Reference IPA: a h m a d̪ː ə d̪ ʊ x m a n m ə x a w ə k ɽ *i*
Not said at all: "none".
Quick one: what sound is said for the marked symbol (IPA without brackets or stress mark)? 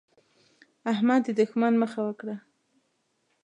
a